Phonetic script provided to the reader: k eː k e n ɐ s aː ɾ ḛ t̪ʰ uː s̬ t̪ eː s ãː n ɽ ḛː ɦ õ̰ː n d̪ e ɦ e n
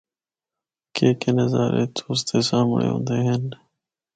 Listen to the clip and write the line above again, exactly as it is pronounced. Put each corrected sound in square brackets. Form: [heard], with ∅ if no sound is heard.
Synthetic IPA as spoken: k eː k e n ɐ [z] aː ɾ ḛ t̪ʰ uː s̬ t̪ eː s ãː [m] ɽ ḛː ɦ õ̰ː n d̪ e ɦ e n